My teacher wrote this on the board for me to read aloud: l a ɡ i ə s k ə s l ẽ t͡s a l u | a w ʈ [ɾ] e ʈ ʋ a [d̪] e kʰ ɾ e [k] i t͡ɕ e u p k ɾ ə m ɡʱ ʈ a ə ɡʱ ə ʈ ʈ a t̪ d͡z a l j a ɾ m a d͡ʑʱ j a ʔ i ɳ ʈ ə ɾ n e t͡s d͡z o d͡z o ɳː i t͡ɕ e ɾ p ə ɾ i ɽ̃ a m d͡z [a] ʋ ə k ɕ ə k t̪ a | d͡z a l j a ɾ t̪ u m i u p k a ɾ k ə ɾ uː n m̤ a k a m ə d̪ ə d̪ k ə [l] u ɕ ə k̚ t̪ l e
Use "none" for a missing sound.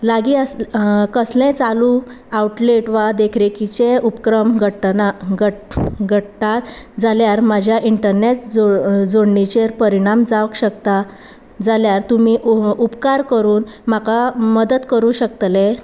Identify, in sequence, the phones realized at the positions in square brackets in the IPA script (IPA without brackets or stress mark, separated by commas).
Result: l, d̪, k, a, ɾ